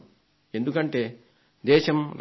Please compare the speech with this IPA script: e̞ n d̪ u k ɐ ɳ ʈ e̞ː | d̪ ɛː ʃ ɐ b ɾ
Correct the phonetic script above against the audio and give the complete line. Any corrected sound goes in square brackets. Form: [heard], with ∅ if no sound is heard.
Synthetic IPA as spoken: e̞ n d̪ u k ɐ ɳ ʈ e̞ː | d̪ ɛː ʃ ɐ [m] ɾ